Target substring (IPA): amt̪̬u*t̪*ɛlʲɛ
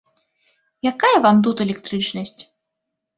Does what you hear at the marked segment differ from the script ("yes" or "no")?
no